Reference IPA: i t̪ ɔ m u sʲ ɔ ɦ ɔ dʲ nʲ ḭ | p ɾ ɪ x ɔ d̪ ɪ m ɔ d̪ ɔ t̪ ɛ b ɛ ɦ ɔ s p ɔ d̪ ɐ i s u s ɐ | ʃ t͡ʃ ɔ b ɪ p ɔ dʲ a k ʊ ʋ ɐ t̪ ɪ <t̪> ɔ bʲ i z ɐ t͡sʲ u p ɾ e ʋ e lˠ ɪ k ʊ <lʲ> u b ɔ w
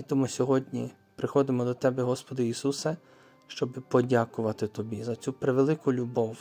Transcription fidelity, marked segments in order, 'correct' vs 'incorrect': correct, correct

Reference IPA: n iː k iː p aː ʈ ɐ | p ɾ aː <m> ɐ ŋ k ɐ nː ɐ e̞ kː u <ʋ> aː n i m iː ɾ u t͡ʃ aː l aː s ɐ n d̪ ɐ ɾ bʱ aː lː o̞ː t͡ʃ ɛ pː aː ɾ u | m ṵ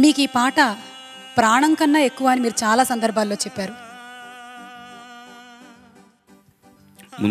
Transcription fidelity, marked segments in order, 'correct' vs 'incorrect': incorrect: ɳ, correct

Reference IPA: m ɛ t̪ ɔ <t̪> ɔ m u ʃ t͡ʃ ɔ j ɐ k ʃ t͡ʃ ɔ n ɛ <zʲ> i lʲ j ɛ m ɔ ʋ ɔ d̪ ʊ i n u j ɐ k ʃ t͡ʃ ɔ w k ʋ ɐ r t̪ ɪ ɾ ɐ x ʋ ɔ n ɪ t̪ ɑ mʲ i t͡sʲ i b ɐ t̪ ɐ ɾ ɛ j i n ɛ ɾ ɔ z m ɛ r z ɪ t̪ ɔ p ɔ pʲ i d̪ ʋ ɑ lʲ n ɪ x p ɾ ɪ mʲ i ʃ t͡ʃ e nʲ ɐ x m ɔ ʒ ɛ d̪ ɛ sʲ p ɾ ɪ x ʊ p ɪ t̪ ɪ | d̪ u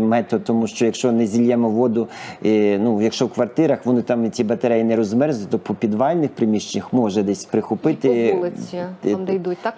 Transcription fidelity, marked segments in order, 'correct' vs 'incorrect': correct, correct

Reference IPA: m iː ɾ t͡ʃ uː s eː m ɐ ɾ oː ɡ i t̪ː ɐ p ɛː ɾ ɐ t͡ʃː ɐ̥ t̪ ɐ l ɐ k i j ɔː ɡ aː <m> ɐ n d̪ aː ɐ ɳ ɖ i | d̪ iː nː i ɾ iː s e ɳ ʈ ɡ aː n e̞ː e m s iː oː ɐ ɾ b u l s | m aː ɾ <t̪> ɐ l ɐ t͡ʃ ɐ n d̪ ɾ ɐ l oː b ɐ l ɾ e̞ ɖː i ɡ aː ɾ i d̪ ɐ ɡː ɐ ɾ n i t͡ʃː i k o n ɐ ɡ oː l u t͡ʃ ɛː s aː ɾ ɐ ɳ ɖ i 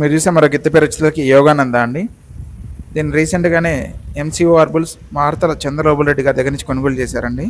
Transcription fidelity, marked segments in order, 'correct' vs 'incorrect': incorrect: n, correct

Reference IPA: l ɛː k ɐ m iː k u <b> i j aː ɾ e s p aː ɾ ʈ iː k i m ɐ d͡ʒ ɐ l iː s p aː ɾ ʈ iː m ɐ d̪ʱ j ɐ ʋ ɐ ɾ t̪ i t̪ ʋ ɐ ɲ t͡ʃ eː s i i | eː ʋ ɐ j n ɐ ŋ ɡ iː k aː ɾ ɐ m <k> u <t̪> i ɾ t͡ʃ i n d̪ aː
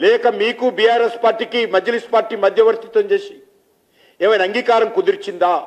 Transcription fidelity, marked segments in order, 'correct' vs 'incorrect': correct, correct, incorrect: d̪

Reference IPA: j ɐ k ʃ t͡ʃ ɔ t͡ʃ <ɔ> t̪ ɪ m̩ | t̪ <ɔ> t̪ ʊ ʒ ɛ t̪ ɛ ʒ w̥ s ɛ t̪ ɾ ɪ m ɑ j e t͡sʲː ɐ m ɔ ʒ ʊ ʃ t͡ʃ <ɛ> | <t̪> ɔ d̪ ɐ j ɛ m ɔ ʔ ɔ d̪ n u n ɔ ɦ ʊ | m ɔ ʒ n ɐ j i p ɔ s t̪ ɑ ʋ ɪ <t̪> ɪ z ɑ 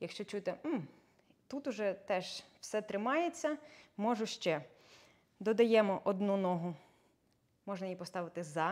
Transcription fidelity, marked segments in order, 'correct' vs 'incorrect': incorrect: u, incorrect: u, correct, incorrect: d̪, correct

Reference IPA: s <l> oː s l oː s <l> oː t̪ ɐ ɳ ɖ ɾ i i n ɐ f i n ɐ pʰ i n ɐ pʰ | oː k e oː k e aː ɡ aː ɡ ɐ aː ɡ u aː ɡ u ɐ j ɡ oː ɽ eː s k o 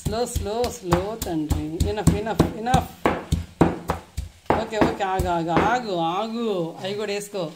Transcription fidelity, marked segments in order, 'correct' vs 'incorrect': correct, correct

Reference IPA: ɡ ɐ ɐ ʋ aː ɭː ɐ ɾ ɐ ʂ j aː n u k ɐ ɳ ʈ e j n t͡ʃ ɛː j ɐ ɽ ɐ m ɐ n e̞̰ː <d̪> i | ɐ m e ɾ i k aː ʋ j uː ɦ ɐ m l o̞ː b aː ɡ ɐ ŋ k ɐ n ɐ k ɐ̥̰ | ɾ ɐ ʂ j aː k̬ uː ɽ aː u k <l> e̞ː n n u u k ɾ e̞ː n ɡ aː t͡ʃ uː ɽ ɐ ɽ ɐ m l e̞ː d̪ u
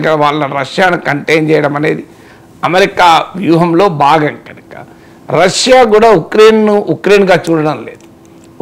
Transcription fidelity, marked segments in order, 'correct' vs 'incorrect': correct, incorrect: ɾ

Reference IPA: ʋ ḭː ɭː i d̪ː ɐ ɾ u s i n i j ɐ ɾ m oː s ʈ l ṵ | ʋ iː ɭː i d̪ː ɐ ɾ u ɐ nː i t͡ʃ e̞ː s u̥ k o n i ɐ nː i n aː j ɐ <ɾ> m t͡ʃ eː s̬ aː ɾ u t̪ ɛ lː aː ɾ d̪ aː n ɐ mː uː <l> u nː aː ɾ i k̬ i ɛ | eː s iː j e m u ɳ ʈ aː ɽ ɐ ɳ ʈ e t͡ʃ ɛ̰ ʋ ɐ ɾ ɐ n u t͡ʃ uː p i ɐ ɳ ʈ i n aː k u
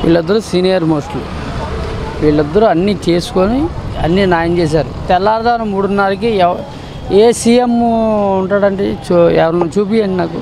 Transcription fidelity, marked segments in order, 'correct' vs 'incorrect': incorrect: none, incorrect: ɽ

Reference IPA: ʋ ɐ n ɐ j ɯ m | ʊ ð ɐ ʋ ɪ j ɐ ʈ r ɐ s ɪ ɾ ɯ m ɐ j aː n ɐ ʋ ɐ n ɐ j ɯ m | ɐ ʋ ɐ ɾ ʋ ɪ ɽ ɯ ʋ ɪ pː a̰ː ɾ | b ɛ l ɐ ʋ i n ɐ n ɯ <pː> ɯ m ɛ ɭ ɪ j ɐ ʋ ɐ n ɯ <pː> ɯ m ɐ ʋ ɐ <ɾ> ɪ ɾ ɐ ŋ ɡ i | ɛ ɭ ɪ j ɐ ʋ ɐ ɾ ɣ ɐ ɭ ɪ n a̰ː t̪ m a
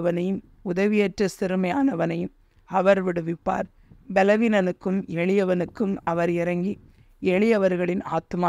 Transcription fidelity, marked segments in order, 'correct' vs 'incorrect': incorrect: kː, incorrect: kː, correct

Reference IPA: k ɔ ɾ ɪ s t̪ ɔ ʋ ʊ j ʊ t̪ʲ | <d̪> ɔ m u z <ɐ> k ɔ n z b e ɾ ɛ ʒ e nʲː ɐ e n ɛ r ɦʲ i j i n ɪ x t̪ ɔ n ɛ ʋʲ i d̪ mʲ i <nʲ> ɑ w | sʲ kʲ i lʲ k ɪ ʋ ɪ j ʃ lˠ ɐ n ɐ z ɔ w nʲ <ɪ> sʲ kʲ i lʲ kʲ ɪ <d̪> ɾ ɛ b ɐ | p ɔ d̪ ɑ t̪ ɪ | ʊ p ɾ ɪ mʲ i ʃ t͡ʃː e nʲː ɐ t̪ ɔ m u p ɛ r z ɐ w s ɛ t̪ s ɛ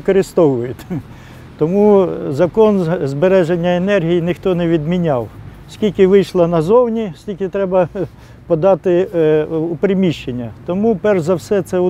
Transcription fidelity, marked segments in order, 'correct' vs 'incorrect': incorrect: t̪, correct, correct, incorrect: i, incorrect: t̪

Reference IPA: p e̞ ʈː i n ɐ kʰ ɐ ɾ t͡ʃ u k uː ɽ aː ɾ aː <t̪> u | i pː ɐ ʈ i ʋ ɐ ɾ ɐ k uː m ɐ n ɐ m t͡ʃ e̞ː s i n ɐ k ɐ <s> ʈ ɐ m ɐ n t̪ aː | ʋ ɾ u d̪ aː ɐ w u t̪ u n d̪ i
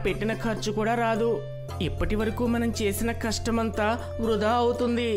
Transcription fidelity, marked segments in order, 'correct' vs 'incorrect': incorrect: d̪, incorrect: ʂ

